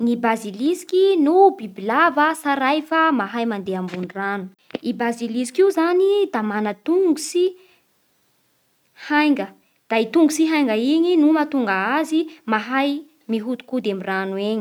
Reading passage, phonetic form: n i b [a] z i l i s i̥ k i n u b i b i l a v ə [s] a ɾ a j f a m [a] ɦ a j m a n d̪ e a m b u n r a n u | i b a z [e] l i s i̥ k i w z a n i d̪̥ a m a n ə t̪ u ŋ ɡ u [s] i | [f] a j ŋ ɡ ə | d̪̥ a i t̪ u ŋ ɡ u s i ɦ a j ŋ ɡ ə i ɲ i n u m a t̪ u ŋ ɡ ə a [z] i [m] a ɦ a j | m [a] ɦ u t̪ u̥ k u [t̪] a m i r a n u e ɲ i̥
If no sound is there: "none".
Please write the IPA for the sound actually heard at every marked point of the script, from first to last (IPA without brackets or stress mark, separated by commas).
a, s, a, i, s, h, z, m, i, d̪